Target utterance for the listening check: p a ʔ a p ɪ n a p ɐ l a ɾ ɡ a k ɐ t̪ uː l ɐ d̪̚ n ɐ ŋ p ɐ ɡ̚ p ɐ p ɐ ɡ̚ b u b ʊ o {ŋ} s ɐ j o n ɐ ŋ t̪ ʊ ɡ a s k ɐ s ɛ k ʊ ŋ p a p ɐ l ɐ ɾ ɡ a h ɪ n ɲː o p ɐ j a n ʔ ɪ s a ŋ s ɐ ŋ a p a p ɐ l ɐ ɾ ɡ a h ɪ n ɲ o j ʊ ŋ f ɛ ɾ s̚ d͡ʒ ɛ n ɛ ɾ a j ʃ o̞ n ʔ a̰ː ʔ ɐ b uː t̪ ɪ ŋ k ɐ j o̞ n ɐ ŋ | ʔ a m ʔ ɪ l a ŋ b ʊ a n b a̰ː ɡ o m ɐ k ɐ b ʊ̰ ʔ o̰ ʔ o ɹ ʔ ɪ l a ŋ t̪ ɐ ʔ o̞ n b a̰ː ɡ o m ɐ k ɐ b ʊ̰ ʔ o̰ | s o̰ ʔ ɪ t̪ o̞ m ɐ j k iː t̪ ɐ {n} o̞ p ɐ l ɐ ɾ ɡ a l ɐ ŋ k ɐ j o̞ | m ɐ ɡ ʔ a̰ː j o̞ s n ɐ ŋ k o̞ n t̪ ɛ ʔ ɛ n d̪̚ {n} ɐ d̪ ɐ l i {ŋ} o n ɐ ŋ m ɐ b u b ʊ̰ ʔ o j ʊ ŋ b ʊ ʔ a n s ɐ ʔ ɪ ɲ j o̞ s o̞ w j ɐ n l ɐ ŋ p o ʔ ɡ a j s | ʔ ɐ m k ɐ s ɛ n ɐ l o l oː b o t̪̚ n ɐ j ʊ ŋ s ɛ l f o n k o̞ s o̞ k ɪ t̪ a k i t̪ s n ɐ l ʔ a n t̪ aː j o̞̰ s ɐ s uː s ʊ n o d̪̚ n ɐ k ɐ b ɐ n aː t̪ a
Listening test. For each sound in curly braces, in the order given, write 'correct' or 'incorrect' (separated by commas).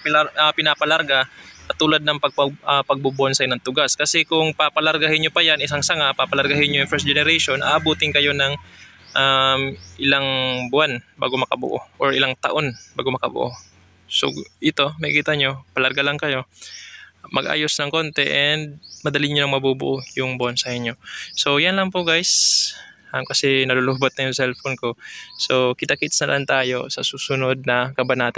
incorrect, incorrect, incorrect, incorrect